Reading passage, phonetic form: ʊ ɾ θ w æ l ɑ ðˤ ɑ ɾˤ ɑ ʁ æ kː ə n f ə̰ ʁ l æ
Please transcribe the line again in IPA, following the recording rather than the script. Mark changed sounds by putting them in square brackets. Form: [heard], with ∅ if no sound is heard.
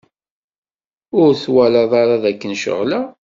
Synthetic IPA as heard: ʊ ɾ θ w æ l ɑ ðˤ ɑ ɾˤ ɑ [ð] æ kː ə n [ʃ] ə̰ ʁ l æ